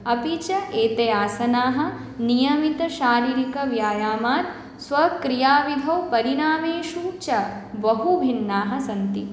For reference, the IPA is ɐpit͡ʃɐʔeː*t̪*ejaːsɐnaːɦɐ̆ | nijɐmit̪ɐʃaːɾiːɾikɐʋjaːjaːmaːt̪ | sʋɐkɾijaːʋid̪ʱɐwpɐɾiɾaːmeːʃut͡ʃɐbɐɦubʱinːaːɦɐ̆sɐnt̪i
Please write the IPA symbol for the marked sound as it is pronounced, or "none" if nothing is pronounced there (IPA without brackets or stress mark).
t̪